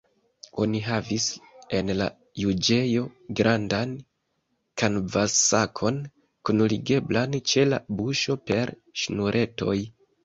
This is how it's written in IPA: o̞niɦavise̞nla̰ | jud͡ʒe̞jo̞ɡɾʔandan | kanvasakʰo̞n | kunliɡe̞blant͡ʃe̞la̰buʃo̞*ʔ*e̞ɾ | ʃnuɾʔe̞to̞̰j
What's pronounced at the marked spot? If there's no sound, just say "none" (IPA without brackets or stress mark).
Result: p